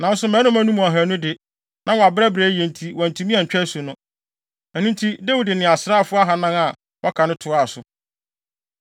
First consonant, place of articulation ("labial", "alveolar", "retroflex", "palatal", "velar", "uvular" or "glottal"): alveolar